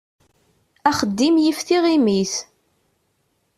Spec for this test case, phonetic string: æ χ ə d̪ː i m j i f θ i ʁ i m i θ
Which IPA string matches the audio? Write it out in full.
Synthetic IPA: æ χ ə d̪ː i m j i f θ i ʁ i m i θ